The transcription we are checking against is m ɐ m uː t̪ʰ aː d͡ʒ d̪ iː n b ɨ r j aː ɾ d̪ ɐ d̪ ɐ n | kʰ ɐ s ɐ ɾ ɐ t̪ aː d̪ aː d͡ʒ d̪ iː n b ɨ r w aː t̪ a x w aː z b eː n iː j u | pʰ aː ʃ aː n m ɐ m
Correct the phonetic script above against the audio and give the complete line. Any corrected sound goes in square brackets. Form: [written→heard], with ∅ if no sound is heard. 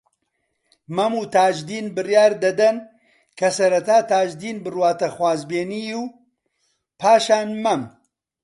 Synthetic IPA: m ɐ m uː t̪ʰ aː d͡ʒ d̪ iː n b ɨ r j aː ɾ d̪ ɐ d̪ ɐ n | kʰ ɐ s ɐ ɾ ɐ t̪ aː [d̪→t̪] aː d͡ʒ d̪ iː n b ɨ r w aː t̪ [a→ɐ] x w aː z b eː n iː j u | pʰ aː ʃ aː n m ɐ m